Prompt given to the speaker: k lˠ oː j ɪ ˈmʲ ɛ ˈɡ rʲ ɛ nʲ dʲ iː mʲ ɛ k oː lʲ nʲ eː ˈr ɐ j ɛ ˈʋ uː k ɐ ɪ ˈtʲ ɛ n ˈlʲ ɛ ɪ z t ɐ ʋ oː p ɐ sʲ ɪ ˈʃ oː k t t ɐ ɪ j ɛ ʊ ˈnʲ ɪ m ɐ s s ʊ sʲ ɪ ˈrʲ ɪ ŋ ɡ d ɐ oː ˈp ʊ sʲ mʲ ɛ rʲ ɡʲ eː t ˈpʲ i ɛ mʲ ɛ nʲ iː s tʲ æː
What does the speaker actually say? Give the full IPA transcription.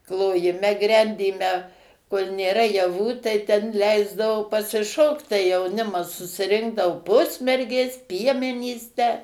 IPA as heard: k lˠ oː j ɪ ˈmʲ ɛ ˈɡ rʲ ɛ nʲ dʲ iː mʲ ɛ k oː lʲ nʲ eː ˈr ɐ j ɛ ˈʋ uː t ɐ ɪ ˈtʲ ɛ n ˈlʲ ɛ ɪ z d ɐ ʋ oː p ɐ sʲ ɪ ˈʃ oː k t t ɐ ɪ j ɛ ʊ ˈnʲ ɪ m ɐ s s ʊ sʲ ɪ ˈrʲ ɪ ŋ ɡ d ɐ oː ˈp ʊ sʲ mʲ ɛ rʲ ɡʲ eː s ˈpʲ i ɛ mʲ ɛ nʲ iː s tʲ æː